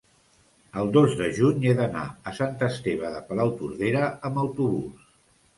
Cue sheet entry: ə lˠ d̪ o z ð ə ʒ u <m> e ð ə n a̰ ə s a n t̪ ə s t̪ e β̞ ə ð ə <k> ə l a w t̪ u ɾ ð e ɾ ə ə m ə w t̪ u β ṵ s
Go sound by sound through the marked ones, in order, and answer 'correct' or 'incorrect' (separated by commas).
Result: incorrect, incorrect